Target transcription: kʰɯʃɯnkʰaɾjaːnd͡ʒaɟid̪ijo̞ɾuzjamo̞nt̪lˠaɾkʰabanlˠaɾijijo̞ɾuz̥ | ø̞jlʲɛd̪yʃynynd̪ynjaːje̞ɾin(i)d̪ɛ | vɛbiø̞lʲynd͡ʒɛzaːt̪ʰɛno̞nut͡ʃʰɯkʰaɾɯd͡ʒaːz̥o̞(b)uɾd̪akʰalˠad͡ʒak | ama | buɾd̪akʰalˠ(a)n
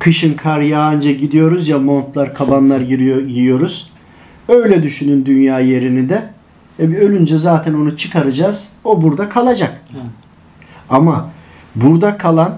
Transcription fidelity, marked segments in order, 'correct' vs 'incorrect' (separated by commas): correct, correct, correct